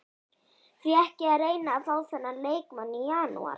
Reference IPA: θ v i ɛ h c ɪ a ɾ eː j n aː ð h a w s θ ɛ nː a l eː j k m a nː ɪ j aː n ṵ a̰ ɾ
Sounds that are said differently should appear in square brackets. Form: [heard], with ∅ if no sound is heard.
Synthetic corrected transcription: θ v i ɛ h c ɪ a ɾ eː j n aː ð [θ] a w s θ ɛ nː a l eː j k m a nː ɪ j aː n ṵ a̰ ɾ